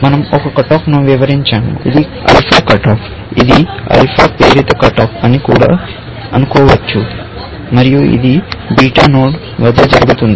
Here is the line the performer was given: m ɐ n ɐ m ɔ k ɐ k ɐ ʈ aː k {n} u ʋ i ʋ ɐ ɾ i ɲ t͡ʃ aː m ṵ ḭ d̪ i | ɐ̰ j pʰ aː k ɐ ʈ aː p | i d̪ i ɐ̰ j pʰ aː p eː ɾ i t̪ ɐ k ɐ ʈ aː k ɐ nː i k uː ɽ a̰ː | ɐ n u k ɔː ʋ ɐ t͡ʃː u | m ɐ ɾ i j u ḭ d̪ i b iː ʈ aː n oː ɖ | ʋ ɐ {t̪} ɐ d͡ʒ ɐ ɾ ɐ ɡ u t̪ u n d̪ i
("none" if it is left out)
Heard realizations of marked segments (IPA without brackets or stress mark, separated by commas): n, d̪